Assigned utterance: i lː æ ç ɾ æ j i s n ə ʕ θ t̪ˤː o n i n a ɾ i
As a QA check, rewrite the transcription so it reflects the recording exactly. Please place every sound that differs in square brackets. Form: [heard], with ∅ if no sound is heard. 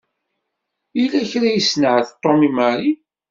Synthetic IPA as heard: i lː æ ç ɾ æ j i s n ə ʕ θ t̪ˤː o [m] i [m] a ɾ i